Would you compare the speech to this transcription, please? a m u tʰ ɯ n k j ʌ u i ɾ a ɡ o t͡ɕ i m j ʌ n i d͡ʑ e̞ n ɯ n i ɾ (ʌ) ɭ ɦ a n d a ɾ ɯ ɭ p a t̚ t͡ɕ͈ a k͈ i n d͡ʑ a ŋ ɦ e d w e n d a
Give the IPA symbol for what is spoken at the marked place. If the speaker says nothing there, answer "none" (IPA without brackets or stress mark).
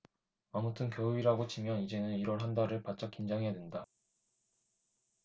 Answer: ʌ